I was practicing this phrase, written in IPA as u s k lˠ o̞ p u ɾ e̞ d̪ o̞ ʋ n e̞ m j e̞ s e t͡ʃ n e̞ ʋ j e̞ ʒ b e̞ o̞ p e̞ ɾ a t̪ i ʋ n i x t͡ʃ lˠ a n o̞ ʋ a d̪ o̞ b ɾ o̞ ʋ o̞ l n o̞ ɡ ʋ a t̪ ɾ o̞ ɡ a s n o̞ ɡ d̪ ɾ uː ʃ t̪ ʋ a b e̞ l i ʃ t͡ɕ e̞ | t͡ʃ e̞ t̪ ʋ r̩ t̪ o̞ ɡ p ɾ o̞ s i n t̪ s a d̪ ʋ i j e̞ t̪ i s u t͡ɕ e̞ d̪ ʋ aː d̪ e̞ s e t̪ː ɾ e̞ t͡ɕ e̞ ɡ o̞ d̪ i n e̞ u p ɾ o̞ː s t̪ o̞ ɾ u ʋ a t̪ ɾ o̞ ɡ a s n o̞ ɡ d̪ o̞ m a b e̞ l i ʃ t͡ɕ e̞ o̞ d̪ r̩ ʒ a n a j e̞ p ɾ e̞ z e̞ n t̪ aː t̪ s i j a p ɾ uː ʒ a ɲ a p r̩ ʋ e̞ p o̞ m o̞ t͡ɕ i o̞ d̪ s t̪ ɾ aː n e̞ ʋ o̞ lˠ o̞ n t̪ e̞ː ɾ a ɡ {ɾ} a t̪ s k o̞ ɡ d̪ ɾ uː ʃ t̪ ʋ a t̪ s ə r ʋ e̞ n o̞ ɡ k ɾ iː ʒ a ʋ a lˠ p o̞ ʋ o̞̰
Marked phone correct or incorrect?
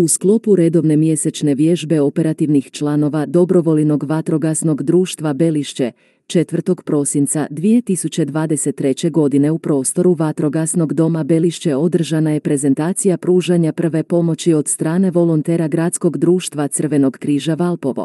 correct